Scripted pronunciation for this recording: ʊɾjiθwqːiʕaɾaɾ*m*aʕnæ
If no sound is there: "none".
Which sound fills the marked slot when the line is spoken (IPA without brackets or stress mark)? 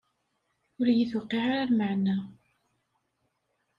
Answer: m